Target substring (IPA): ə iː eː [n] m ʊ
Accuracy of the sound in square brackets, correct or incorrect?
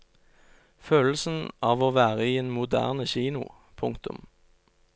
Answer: correct